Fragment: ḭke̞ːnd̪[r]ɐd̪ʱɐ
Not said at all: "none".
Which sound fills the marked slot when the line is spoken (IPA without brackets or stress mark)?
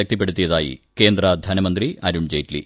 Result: r